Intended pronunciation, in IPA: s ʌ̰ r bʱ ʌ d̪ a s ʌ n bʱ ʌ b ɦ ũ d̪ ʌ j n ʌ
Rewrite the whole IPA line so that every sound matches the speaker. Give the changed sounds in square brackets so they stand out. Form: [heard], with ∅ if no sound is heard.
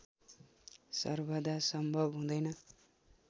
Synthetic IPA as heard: s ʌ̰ r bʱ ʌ d̪ a s ʌ [m] bʱ ʌ b ɦ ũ d̪ ʌ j n ʌ